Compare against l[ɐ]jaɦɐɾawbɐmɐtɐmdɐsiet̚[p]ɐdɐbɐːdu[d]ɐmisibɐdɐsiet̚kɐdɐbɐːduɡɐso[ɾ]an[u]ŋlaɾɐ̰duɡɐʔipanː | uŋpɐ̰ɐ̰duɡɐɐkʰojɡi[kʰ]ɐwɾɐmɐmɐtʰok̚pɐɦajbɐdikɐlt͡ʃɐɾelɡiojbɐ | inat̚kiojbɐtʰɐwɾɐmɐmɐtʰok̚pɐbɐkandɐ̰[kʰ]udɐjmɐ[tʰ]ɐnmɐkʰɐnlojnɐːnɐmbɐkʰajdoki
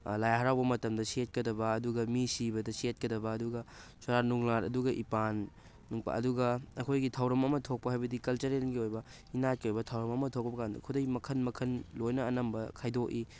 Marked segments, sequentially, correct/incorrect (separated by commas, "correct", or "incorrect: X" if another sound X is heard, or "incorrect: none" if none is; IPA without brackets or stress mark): incorrect: a, incorrect: k, incorrect: ɡ, correct, correct, incorrect: tʰ, correct, incorrect: kʰ